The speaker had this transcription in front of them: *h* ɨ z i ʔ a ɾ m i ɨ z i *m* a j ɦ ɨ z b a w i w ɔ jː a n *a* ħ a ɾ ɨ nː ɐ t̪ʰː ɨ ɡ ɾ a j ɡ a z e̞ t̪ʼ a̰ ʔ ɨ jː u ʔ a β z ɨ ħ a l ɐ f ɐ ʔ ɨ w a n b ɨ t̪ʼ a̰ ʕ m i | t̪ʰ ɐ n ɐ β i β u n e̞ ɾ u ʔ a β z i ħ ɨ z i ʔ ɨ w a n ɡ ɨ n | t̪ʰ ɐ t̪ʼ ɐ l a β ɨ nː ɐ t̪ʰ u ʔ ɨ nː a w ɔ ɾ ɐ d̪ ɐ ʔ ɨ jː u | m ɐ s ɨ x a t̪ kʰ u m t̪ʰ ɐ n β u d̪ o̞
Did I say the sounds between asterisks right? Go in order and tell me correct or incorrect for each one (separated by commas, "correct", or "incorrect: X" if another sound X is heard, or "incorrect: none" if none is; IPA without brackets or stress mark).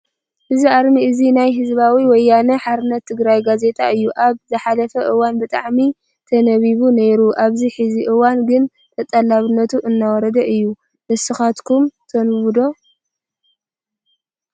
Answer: correct, incorrect: n, incorrect: ɐ